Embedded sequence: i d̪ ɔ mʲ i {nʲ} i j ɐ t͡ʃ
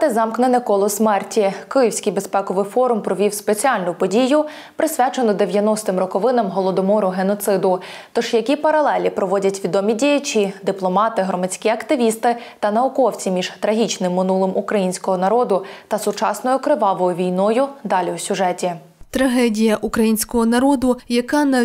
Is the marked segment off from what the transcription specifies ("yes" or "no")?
yes